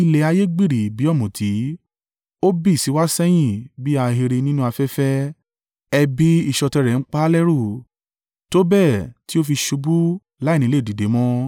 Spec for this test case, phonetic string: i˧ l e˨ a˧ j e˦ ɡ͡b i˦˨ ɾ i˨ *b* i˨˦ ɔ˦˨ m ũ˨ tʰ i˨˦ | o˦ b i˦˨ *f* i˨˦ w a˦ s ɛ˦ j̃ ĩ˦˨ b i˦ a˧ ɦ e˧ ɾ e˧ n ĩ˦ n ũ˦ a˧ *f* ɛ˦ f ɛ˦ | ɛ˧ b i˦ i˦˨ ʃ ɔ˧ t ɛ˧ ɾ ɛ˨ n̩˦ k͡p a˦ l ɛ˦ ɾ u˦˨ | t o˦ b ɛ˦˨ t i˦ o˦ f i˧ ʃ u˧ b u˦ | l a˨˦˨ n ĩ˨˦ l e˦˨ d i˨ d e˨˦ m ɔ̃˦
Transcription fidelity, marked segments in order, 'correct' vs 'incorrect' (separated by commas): correct, incorrect, correct